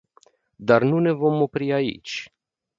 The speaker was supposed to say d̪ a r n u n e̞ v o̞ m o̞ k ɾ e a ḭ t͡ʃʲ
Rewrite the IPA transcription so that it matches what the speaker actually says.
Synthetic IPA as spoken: d̪ a r n u n e̞ v o̞ m o̞ p ɾ i a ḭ t͡ʃʲ